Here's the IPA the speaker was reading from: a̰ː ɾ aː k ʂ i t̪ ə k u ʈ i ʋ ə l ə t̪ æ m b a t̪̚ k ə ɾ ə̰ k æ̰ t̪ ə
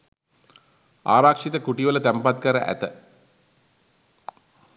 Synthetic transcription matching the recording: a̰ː ɾ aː k ʂ i t̪ ə k u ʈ i ʋ ə l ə t̪ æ m p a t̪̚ k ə ɾ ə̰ ʔ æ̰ t̪ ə